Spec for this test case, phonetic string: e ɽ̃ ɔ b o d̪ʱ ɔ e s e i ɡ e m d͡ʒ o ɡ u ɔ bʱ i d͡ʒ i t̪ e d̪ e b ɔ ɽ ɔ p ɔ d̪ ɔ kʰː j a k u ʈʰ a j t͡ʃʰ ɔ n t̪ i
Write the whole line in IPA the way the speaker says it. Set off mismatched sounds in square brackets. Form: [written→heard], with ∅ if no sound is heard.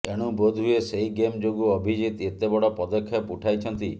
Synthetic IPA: e ɽ̃ [ɔ→u] b o d̪ʱ [ɔ→u] e s e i ɡ e m d͡ʒ o ɡ u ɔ bʱ i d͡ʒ i t̪ e [d̪→t̪] e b ɔ ɽ ɔ p ɔ d̪ ɔ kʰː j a [k→p] u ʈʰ a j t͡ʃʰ ɔ n t̪ i